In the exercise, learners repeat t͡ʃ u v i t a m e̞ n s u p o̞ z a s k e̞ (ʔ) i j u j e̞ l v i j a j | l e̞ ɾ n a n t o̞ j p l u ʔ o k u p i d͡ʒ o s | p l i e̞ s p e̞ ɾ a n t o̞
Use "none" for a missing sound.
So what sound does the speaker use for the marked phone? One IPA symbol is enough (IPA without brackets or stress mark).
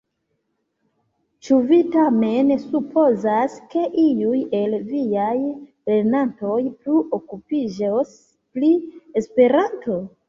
ʔ